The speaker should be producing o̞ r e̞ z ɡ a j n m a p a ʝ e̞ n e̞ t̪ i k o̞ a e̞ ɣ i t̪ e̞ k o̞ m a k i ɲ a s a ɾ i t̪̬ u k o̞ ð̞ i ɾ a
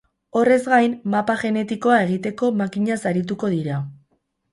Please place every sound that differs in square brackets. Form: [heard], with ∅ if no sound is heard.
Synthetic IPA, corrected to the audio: o̞ r e̞ z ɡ a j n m a p a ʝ e̞ n e̞ t̪ i k o̞ a e̞ ɣ i t̪ e̞ k o̞ m a k i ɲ a s a ɾ i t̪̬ u k o̞ ð̞ i ɾ a

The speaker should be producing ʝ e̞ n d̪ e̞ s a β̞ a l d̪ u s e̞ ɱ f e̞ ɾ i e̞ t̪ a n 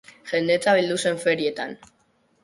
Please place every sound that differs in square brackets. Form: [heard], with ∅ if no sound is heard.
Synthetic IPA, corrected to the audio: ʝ e̞ n d̪ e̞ [t͡s] a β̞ [i] l d̪ u s e̞ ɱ f e̞ ɾ i e̞ t̪ a n

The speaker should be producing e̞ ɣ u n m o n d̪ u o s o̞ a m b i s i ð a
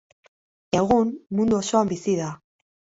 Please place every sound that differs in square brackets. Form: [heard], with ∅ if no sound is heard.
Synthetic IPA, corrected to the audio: e̞ ɣ u n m [u] n d̪ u o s o̞ a m b i s i ð a

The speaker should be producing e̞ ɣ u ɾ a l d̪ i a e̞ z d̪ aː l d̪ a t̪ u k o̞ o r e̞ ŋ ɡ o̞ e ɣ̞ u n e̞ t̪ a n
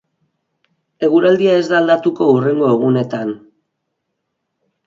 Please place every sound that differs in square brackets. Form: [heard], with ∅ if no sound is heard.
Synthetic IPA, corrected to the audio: e̞ ɣ u ɾ a l d̪ i a e̞ z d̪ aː l d̪ a t̪ u k o̞ [u] r e̞ ŋ ɡ o̞ e ɣ̞ u n e̞ t̪ a n

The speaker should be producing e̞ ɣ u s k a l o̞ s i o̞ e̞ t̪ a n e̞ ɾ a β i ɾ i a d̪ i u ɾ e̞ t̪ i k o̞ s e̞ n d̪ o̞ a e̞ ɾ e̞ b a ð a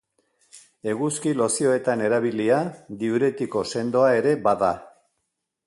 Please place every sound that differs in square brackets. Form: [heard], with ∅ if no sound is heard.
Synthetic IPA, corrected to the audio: e̞ ɣ u s k [i] l o̞ s i o̞ e̞ t̪ a n e̞ ɾ a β i [l] i a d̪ i u ɾ e̞ t̪ i k o̞ s e̞ n d̪ o̞ a e̞ ɾ e̞ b a ð a

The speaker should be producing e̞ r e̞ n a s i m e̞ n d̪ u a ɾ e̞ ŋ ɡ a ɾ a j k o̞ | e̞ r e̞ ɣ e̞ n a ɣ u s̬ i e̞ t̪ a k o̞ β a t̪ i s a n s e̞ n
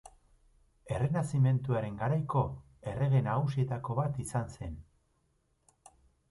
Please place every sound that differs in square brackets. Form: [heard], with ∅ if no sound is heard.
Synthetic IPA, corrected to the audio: e̞ r e̞ n a s i m e̞ n [t̪] u a ɾ e̞ ŋ ɡ a ɾ a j k o̞ | e̞ r e̞ ɣ e̞ n a ɣ u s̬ i e̞ t̪ a k o̞ β a t̪ i s a n s e̞ n

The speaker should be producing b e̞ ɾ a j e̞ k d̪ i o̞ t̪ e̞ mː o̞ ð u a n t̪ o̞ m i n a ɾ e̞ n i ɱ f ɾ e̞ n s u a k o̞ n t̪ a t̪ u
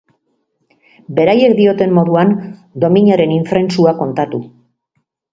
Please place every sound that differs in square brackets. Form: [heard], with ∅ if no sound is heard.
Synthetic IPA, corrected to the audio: b e̞ ɾ a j e̞ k d̪ i o̞ t̪ e̞ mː o̞ ð u a n [d̪] o̞ m i [ɲ] a ɾ e̞ n i ɱ f ɾ e̞ n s u a k o̞ n t̪ a t̪ u

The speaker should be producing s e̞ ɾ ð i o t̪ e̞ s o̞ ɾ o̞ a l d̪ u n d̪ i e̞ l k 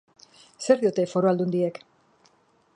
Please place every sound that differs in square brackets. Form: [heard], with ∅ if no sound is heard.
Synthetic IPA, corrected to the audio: s e̞ ɾ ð i o t̪ e̞ [f] o̞ ɾ o̞ a l d̪ u n d̪ i e̞ [∅] k

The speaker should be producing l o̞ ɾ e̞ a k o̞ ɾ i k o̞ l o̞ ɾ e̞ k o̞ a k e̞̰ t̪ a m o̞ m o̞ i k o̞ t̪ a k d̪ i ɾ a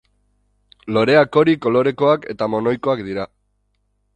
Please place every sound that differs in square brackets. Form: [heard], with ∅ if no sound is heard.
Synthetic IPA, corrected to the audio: l o̞ ɾ e̞ a k o̞ ɾ i k o̞ l o̞ ɾ e̞ k o̞ a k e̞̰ t̪ a m o̞ [n] o̞ [j] k o̞ [∅] a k d̪ i ɾ a

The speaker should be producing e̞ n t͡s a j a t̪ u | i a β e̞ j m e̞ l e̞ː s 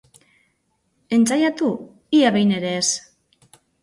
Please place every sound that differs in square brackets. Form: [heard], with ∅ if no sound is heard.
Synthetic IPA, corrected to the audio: e̞ n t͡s a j a t̪ u | i a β e̞ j [n] e̞ [ɾ] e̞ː s

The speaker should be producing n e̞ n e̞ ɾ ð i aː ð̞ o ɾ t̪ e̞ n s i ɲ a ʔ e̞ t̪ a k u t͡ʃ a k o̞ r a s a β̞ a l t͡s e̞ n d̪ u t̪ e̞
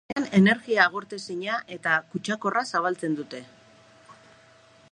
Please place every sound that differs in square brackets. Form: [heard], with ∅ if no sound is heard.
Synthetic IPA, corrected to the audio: n e̞ n e̞ ɾ [ɣ] i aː [ɣ̞] o ɾ t̪ e̞ [∅] s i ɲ a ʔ e̞ t̪ a k u t͡ʃ a k o̞ r a s a β̞ a l t͡s e̞ n d̪ u t̪ e̞

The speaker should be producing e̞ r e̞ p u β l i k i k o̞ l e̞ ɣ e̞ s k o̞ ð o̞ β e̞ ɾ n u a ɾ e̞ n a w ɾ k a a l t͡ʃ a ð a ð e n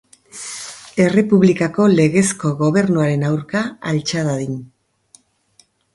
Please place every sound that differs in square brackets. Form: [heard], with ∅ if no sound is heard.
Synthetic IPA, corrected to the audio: e̞ r e̞ p u β l i k [a] k o̞ l e̞ ɣ e̞ s k o̞ [ɣ] o̞ β e̞ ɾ n u a ɾ e̞ n a w ɾ k a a l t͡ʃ a ð a ð [i] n

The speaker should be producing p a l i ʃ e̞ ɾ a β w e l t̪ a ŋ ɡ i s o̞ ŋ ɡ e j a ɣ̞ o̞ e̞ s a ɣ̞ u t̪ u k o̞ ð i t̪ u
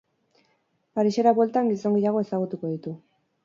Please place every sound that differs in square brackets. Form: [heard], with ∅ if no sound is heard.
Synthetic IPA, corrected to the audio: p a [ɾ] i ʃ e̞ ɾ a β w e l t̪ a ŋ ɡ i s o̞ ŋ ɡ e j a ɣ̞ o̞ e̞ s a ɣ̞ u t̪ u k o̞ ð i t̪ u

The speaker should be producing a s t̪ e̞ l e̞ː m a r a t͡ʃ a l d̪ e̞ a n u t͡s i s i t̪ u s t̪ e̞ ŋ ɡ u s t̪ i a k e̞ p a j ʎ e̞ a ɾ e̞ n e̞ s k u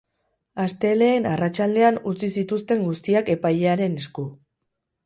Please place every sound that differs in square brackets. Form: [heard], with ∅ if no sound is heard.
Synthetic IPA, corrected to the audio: a s t̪ e̞ l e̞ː [n] a r a t͡ʃ a l d̪ e̞ a n u t͡s i s i t̪ u s t̪ e̞ ŋ ɡ u s t̪ i a k e̞ p a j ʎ e̞ a ɾ e̞ n e̞ s k u

